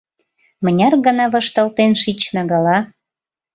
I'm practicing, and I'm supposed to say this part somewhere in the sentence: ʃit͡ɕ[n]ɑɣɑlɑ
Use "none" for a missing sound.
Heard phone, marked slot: n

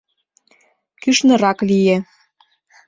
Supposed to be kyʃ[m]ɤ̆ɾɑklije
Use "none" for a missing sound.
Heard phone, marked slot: n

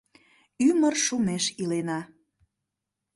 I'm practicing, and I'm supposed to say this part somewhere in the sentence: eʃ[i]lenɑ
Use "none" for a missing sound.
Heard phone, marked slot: i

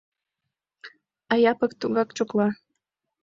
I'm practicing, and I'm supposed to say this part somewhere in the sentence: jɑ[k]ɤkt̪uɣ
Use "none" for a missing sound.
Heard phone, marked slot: p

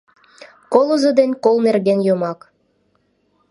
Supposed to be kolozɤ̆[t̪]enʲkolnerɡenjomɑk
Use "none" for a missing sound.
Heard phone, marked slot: d̪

